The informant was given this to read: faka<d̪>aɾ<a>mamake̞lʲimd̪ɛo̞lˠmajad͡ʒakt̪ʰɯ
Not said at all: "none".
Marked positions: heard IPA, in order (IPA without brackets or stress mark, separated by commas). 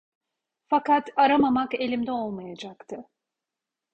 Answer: t̪, a